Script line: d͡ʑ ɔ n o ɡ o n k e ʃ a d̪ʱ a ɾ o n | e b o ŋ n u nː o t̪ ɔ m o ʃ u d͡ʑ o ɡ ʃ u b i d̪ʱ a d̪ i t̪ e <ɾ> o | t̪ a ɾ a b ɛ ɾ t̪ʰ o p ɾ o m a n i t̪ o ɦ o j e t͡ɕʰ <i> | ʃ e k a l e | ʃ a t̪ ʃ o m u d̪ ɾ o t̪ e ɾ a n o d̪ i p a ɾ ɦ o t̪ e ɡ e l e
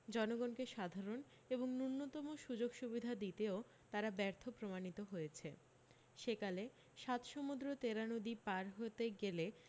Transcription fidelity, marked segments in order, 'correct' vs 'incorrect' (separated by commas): incorrect, incorrect